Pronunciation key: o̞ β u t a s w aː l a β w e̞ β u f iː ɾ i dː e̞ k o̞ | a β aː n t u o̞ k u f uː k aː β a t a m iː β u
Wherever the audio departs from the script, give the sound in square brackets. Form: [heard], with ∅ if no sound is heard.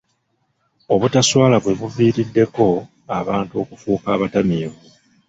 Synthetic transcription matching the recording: o̞ β u t a s w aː l a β w e̞ β u [v] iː ɾ i dː e̞ k o̞ | a β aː n t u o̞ k u f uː k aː β a t a m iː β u